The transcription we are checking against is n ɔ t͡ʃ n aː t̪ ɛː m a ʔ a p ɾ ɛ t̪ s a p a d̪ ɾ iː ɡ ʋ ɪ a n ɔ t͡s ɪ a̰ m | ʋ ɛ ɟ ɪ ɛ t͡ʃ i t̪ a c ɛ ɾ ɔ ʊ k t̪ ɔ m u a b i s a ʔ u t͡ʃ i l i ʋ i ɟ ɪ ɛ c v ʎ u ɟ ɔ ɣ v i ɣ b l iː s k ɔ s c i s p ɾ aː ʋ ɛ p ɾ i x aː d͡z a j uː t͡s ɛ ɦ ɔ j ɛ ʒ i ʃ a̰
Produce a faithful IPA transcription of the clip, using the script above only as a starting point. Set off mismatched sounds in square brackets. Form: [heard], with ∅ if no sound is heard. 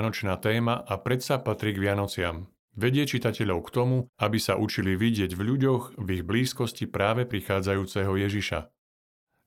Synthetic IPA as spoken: n ɔ t͡ʃ n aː t̪ ɛː m a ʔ a p ɾ ɛ t̪ s a p a [t̪] ɾ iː ɡ ʋ ɪ a n ɔ t͡s ɪ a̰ m | ʋ ɛ ɟ ɪ ɛ t͡ʃ i t̪ a c ɛ [ʎ] ɔ ʊ k t̪ ɔ m u a b i s a ʔ u t͡ʃ i l i ʋ i ɟ ɪ ɛ [ɟ] v ʎ u ɟ ɔ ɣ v i ɣ b l iː s k ɔ s c i [∅] p ɾ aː ʋ ɛ p ɾ i x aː d͡z a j uː t͡s ɛ ɦ ɔ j ɛ ʒ i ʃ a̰